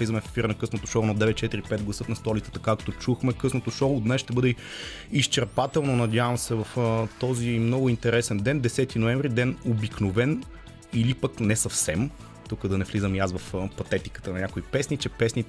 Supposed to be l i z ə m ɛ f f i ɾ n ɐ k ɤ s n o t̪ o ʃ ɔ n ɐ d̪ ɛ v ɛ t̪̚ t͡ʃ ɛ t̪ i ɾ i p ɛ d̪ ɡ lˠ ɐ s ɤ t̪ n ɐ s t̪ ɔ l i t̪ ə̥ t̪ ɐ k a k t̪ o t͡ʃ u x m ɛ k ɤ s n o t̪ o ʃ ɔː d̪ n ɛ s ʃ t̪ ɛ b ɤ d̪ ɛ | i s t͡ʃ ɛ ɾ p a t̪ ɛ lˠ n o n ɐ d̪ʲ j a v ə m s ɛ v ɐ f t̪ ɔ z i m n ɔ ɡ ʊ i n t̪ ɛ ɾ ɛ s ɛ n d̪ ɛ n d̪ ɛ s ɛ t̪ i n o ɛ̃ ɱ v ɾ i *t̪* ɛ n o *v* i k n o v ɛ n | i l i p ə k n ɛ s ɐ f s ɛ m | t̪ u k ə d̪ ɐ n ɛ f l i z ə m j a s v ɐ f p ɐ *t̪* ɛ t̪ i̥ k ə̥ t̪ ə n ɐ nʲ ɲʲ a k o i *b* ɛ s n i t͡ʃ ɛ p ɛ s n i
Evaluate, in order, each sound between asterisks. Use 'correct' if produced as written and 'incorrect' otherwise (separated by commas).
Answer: incorrect, incorrect, correct, incorrect